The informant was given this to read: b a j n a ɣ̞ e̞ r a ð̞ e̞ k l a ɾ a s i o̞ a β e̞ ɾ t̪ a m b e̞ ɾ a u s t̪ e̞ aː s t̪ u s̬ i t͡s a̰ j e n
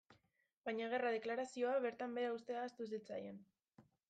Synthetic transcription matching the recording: b a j ɲ a ɣ̞ e̞ r a ð̞ e̞ k l a ɾ a s i o̞ a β e̞ ɾ t̪ a m b e̞ ɾ a u s t̪ e̞ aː s t̪ u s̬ i t͡s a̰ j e n